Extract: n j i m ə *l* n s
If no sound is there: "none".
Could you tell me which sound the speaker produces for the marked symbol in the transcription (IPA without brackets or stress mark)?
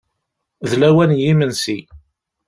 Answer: none